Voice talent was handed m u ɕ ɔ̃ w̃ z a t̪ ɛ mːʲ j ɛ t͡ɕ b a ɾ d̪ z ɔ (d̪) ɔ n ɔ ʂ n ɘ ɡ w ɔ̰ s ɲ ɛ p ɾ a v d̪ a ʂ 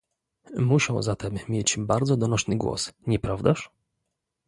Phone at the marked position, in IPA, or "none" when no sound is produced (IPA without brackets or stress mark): d̪